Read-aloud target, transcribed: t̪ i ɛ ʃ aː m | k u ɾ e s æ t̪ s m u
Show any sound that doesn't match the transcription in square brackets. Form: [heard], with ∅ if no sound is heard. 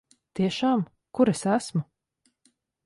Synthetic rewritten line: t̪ i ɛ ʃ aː m | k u ɾ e s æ [∅] s m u